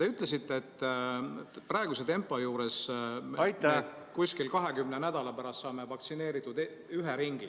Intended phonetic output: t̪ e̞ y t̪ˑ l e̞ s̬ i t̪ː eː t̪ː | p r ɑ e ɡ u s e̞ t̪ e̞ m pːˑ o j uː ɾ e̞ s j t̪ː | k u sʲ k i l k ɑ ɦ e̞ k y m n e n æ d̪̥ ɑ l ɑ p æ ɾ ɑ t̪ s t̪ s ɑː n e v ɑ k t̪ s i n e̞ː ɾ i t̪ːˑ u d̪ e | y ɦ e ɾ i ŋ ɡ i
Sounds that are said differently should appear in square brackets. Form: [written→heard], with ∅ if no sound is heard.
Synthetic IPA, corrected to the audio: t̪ e̞ y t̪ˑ l e̞ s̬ i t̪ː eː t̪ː | p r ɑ e ɡ u s e̞ t̪ e̞ m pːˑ o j uː ɾ e̞ s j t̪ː | k u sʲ k i l k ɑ ɦ e̞ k y m n e n æ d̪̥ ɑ l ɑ p æ ɾ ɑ [t̪→∅] s t̪ s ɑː [n→m] e v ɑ k t̪ s i n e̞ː ɾ i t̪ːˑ u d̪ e | y ɦ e ɾ i ŋ ɡ i